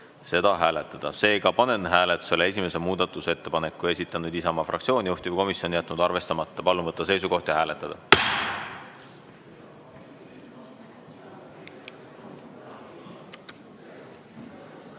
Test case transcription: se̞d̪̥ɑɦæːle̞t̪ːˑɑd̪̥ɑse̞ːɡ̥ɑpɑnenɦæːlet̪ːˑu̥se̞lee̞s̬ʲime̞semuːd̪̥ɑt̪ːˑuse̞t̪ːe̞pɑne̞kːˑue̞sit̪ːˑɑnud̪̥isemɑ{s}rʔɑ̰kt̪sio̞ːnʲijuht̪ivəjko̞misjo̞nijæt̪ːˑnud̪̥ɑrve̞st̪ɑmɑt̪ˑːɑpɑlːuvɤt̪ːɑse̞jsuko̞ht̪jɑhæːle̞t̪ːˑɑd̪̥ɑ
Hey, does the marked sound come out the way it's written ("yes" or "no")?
no